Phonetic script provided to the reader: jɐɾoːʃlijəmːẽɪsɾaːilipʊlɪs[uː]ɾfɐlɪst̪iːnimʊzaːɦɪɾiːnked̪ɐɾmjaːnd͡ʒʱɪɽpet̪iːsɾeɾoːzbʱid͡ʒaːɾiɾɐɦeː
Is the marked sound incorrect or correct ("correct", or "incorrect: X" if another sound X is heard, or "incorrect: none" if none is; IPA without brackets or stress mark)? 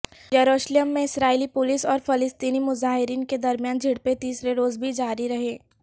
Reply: incorrect: ɔː